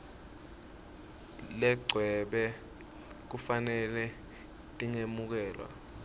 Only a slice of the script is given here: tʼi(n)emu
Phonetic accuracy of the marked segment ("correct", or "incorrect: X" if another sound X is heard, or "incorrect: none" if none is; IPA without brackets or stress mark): incorrect: ŋ